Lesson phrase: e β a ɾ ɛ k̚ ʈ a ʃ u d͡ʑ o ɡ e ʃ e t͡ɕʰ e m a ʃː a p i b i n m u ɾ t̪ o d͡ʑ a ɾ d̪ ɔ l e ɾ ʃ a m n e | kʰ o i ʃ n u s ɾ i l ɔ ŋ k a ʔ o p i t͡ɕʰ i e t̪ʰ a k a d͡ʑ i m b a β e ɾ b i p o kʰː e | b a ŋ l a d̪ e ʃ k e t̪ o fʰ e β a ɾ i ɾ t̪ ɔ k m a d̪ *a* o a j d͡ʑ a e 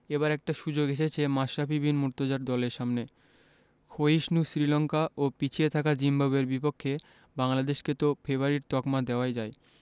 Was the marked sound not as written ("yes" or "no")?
yes